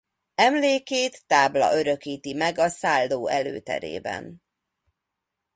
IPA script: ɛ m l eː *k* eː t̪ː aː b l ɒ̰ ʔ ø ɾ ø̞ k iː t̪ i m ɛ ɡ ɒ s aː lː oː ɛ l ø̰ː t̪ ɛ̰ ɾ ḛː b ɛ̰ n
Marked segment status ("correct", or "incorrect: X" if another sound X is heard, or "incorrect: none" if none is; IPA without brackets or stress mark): correct